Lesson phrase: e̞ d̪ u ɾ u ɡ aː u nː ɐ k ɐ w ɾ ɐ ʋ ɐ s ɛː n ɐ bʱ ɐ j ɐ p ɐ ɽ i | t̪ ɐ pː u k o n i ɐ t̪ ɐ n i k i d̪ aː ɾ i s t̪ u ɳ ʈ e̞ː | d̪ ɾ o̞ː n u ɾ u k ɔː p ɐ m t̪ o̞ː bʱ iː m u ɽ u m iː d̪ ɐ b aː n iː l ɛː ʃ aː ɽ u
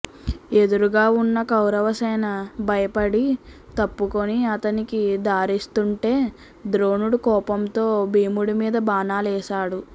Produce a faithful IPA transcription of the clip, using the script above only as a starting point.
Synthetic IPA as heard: e̞ d̪ u ɾ u ɡ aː u nː ɐ k ɐ w ɾ ɐ ʋ ɐ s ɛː n ɐ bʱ ɐ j ɐ p ɐ ɽ i | t̪ ɐ pː u k o n i ɐ t̪ ɐ n i k i d̪ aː ɾ i s t̪ u ɳ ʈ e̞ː | d̪ ɾ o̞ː n u ɽ u k ɔː p ɐ m t̪ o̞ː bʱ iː m u ɽ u m iː d̪ ɐ b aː n aː l ɛː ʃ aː ɽ u